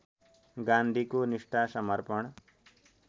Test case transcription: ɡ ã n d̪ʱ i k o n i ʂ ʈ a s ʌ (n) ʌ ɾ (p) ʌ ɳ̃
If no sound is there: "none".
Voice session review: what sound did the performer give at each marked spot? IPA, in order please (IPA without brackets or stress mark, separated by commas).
m, p